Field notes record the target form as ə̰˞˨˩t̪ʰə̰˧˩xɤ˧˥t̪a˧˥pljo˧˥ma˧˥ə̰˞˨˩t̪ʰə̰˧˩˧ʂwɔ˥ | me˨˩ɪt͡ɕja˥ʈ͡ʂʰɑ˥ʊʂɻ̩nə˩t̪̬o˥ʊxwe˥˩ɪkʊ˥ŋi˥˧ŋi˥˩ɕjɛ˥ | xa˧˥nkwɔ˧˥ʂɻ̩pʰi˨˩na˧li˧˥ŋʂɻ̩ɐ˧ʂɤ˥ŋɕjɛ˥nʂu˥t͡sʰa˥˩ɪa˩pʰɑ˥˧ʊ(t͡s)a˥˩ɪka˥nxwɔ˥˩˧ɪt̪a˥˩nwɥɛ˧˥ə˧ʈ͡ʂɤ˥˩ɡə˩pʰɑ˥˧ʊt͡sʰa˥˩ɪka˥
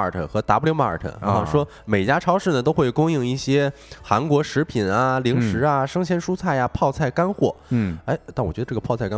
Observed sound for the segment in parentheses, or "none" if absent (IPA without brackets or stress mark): t͡sʰ